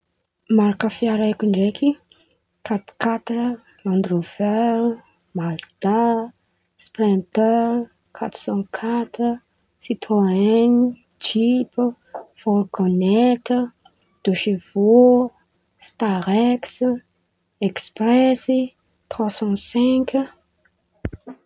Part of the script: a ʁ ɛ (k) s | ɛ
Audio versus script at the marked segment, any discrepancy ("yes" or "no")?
no